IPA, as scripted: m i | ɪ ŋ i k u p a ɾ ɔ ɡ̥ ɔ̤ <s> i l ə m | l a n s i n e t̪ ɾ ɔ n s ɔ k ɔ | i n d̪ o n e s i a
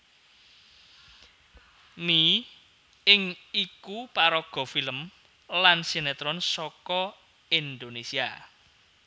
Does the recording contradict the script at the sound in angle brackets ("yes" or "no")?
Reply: yes